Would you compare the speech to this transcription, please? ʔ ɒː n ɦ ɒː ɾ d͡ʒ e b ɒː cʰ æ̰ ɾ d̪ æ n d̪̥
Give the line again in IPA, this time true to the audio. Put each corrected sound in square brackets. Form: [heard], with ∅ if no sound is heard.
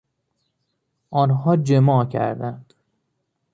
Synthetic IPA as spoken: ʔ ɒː n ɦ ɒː [∅] d͡ʒ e [m] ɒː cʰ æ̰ ɾ d̪ æ n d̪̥